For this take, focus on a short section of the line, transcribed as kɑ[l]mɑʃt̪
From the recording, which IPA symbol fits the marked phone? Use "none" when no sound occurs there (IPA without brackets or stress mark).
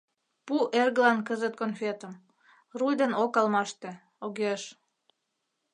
l